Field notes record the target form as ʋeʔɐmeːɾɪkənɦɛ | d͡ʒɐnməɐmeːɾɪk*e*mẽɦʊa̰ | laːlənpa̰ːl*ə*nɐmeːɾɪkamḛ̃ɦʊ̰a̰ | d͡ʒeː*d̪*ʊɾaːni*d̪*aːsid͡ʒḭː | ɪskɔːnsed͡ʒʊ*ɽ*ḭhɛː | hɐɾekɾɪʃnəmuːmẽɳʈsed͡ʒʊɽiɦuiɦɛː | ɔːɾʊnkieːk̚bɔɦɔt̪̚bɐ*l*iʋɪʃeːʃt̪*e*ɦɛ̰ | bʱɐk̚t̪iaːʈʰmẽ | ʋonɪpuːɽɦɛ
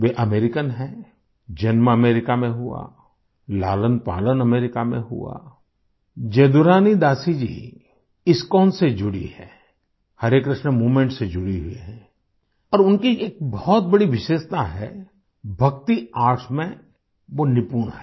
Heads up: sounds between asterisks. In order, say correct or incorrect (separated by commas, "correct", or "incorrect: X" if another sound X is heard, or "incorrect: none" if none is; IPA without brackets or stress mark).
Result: incorrect: a, correct, correct, correct, correct, incorrect: ɽ, incorrect: a